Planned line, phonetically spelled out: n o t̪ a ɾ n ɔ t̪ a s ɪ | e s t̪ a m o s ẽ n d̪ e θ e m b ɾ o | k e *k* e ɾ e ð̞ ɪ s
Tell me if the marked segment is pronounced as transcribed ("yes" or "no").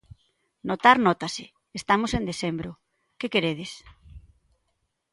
yes